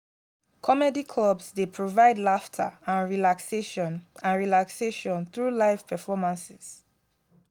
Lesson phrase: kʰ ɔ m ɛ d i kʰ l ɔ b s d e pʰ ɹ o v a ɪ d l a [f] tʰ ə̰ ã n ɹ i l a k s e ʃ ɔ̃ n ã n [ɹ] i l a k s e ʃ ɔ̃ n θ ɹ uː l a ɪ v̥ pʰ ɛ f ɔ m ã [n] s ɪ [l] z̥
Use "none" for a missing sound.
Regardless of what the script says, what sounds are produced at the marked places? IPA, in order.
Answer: f, ɹ, n, none

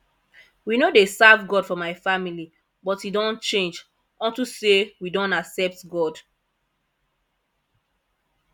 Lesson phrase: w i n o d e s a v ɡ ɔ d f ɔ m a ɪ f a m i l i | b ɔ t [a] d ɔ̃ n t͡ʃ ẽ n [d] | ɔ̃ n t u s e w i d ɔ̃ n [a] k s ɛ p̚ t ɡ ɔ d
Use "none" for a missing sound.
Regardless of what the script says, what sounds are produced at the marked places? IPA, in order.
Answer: i, d͡ʒ, a

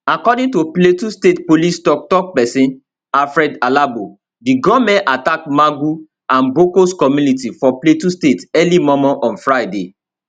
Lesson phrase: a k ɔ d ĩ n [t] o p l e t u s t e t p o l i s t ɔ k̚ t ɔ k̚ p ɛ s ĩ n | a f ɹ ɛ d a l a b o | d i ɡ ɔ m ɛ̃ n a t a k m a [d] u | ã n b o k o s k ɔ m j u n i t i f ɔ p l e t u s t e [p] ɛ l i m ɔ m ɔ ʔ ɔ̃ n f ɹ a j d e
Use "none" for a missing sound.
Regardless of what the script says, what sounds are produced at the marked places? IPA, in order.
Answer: t, ɡ, t

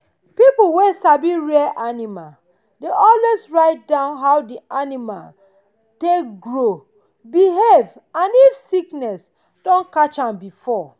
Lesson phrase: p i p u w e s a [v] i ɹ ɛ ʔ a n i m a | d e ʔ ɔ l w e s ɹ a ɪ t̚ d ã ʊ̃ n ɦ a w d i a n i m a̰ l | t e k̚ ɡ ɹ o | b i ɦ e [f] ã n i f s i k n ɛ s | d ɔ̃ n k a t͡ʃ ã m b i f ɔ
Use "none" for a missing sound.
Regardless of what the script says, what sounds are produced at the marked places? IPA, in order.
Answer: b, v

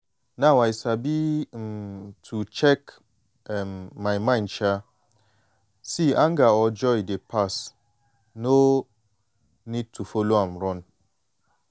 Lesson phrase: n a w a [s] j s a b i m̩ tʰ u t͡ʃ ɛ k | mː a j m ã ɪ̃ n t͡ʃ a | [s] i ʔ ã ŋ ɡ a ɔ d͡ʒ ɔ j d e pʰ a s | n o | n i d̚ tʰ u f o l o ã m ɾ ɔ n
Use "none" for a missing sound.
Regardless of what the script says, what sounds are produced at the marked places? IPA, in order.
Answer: none, s

